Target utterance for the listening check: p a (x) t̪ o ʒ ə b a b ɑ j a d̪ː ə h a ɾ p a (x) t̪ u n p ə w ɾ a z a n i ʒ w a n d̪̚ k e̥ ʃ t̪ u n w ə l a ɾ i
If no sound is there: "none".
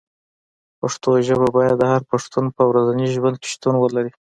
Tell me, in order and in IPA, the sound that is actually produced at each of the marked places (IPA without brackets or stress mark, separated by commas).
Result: ʂ, ʂ